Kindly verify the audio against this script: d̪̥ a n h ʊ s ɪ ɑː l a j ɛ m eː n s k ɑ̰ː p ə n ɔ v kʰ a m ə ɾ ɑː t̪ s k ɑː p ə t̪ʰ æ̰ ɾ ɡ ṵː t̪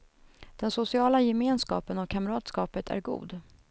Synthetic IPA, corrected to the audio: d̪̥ ɛ n s ʊ s ɪ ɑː l a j ɛ m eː n s k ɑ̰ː p ə n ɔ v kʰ a m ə ɾ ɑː t̪ s k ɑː p ə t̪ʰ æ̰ ɾ ɡ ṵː d̪